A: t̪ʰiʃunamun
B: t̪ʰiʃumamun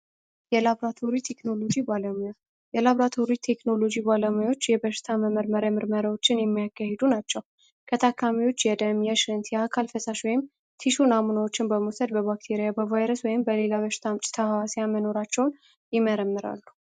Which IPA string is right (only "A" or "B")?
A